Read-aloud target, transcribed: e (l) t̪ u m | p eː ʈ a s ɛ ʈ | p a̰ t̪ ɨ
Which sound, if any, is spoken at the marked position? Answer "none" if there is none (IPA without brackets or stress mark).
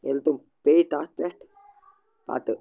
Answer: l